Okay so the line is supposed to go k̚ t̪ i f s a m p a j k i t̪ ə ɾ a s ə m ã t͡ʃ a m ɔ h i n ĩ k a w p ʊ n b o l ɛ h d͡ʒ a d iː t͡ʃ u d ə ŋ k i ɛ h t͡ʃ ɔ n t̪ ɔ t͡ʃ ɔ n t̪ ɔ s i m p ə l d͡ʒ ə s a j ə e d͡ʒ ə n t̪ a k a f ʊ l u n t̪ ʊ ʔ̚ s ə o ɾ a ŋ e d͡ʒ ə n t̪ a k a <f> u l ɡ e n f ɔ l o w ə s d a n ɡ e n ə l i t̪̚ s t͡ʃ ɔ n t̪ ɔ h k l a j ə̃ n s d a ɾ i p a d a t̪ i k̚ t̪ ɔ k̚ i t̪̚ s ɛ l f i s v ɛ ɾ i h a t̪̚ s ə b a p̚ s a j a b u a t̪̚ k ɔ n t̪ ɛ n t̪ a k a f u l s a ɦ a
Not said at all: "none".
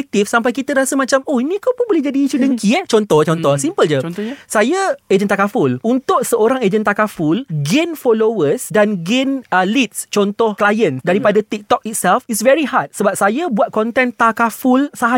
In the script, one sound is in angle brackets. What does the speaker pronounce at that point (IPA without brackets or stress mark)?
f